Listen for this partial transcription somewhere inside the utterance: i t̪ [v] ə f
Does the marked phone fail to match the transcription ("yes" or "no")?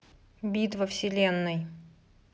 no